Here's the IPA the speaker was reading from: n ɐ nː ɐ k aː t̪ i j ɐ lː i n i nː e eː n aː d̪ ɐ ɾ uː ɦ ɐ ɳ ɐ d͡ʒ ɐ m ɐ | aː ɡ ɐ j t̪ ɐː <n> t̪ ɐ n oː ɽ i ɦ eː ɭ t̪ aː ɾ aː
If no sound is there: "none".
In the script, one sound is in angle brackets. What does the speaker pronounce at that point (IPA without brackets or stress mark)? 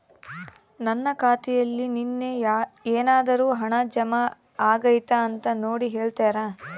n